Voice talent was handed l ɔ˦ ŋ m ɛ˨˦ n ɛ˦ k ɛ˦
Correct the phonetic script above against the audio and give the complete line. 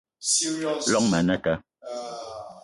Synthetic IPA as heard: l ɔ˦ ŋ m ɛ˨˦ n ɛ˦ k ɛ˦

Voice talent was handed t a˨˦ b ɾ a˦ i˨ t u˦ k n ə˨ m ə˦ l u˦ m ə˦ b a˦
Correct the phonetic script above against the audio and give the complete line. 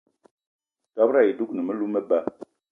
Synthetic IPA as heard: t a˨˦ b ɾ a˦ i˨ d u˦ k n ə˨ m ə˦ l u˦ m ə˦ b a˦

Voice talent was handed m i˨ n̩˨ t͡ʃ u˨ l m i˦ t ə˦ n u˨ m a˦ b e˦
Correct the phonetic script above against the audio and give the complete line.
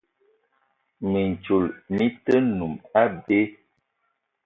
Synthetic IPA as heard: m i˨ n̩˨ t͡ʃ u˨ l m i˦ t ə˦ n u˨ m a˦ b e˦

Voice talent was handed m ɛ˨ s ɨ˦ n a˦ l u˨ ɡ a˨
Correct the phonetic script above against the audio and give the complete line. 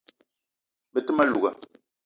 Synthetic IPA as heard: b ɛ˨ t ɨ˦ m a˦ l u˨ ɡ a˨

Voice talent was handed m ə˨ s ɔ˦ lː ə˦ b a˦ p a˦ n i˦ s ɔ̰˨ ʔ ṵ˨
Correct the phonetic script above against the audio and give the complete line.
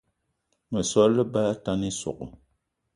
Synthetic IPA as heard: m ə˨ s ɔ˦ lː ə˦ b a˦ t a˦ n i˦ s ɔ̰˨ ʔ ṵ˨

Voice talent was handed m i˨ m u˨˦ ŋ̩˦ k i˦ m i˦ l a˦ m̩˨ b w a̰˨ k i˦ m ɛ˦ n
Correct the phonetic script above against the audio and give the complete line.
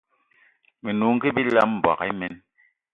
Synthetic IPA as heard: m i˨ n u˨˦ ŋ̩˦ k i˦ b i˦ l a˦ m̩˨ b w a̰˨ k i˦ m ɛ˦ n

